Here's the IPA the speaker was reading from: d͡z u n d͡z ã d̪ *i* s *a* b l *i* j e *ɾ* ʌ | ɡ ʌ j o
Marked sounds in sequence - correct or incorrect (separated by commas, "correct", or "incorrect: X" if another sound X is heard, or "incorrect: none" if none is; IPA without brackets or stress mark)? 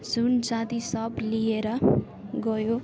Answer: correct, incorrect: ʌ, correct, correct